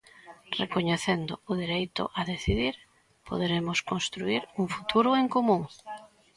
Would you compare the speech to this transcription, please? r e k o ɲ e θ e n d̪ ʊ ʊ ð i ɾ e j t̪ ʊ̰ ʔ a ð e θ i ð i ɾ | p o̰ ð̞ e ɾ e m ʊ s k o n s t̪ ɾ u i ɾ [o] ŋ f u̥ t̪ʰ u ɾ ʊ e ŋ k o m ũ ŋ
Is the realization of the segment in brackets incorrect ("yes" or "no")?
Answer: yes